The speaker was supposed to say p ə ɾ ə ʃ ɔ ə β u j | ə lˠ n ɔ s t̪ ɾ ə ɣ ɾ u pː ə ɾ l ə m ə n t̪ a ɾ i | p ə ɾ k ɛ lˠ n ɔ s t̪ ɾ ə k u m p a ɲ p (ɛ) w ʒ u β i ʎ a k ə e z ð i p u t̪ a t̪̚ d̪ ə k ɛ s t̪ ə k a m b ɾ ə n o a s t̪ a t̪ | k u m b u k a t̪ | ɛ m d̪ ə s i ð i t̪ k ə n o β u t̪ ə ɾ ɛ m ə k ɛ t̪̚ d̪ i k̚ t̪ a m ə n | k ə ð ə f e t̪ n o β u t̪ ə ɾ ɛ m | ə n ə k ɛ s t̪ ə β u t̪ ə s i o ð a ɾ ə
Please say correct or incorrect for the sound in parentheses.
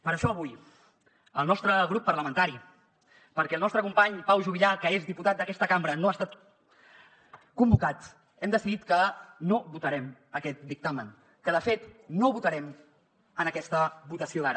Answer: incorrect